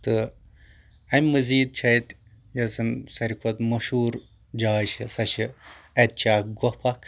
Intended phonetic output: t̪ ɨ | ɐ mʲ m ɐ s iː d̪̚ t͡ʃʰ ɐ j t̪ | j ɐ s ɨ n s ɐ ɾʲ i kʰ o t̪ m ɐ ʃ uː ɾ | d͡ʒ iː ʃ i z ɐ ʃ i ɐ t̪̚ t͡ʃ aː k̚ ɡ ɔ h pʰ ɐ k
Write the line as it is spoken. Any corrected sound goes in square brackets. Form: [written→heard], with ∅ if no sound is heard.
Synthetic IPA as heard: t̪ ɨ | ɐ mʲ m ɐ [s→z] iː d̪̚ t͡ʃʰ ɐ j t̪ | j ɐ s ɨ n s ɐ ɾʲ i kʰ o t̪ m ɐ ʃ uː ɾ | d͡ʒ [iː→aː] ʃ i [z→s] ɐ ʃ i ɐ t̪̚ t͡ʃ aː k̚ ɡ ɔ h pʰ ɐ k